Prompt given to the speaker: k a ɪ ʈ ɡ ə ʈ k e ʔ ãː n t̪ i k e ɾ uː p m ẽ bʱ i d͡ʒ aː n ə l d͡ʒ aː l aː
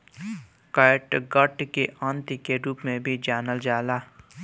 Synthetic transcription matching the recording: k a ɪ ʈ ɡ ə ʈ k e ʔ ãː n t̪ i k e ɾ uː p m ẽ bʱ i d͡ʒ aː n ə l d͡ʒ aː l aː